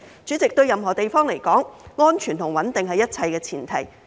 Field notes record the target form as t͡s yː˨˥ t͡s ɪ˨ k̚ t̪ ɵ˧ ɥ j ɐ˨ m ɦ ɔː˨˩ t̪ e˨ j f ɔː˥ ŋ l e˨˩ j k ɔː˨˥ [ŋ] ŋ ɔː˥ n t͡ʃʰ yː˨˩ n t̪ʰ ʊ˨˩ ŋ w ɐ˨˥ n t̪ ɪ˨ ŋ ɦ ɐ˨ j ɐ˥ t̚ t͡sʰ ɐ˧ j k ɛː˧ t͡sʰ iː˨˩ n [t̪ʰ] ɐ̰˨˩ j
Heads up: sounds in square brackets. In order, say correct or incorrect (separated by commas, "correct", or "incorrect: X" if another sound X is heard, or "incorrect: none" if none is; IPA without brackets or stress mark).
correct, correct